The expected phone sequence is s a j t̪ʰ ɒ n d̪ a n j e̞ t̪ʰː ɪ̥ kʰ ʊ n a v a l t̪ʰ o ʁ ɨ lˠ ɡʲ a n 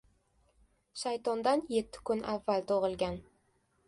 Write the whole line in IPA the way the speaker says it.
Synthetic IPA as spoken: ʃ a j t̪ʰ ɒ n d̪ a n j e̞ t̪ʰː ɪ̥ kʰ ʊ n a vː a l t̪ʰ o ʁ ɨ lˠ ɡʲ a n